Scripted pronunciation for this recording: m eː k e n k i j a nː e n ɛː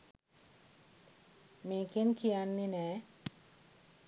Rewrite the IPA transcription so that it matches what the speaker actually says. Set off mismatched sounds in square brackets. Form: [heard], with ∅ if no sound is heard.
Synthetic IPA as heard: m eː k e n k i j a nː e n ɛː